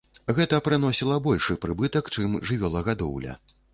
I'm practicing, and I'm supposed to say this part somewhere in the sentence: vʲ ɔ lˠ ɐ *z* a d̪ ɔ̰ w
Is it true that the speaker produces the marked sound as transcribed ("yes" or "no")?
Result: no